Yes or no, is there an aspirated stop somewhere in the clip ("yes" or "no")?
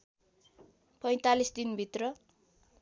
no